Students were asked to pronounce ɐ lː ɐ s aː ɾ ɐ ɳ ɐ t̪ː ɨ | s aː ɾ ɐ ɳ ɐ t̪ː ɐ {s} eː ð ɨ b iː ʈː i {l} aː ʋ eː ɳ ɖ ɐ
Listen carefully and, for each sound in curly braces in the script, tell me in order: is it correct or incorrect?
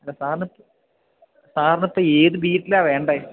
incorrect, correct

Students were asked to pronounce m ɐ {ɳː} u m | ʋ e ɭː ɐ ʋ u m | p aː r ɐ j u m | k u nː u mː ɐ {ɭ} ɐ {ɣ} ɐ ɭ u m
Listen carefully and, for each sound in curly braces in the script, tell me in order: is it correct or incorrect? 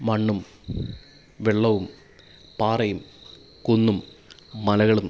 correct, incorrect, correct

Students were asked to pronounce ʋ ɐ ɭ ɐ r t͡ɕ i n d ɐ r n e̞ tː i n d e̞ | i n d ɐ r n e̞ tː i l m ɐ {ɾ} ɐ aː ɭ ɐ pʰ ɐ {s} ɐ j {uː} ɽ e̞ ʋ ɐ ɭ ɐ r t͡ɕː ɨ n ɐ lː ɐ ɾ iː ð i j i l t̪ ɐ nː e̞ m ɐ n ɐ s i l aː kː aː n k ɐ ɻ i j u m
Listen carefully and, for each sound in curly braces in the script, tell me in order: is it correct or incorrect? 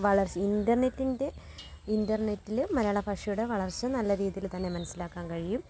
correct, incorrect, incorrect

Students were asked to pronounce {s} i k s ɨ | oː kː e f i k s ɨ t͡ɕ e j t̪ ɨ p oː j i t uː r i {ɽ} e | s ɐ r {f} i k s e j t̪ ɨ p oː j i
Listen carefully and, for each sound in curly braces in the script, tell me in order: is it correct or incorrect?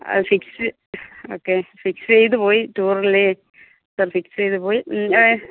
incorrect, incorrect, correct

